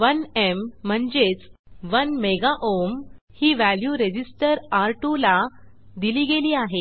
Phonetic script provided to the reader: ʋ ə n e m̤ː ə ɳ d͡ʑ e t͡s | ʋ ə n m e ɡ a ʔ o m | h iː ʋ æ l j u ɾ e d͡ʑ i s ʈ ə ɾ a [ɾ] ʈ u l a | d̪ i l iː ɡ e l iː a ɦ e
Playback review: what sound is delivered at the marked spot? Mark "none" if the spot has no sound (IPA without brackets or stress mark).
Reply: ɾ